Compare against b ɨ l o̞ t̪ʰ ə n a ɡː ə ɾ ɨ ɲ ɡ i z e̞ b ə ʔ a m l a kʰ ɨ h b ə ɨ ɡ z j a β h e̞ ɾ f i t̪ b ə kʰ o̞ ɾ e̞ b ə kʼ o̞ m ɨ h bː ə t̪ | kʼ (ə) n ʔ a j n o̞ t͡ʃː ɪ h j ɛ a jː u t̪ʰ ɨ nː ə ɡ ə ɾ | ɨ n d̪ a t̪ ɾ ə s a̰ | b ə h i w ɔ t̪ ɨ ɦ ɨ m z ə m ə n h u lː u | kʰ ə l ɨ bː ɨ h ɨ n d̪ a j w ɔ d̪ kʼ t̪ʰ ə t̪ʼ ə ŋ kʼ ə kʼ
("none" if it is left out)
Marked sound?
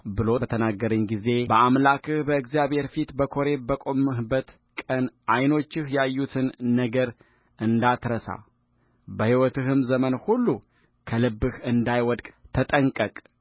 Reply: ə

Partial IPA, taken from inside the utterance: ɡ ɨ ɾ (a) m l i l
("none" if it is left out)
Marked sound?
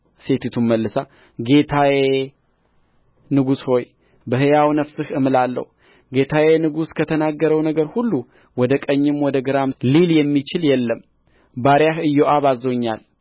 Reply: a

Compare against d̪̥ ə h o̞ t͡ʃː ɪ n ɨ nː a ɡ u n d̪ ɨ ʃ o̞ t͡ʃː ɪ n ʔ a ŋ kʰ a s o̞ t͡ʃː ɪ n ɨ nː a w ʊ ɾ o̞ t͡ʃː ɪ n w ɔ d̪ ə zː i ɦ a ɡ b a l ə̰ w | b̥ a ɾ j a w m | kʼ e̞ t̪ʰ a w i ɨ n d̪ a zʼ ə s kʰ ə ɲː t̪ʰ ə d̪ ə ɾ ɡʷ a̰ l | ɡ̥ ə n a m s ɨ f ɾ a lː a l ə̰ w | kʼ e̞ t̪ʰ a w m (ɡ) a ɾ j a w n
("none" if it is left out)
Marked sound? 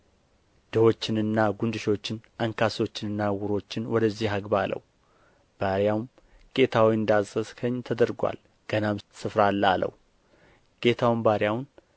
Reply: b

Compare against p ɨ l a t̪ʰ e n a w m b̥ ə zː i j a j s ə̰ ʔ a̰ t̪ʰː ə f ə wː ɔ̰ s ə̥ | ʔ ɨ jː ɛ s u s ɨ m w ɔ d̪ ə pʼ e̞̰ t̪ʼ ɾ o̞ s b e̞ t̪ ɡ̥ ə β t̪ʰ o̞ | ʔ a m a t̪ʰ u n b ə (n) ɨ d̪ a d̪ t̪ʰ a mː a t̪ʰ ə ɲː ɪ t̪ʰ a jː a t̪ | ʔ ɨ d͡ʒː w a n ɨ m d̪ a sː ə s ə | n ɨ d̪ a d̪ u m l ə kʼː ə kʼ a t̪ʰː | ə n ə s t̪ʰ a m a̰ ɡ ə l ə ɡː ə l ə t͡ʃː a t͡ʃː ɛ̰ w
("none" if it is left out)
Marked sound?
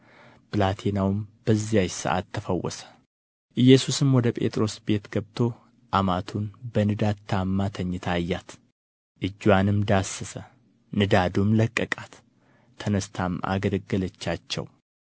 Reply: n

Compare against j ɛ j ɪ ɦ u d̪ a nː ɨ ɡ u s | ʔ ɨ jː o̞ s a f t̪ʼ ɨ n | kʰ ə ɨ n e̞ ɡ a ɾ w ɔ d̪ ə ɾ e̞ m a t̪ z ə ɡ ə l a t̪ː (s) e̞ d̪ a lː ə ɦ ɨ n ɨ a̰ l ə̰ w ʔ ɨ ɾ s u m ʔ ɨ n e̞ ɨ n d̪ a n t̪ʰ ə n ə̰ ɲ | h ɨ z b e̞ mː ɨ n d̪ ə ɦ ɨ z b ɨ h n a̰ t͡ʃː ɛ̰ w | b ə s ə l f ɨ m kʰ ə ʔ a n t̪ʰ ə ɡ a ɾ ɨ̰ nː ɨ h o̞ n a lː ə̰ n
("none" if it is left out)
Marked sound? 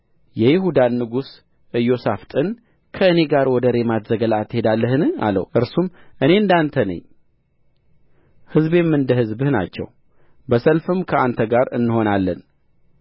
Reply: h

